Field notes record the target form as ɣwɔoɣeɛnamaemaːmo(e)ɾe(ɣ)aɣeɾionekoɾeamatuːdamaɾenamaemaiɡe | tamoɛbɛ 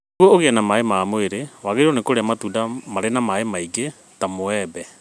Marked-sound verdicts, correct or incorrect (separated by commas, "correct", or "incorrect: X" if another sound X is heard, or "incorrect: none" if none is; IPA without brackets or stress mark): correct, incorrect: w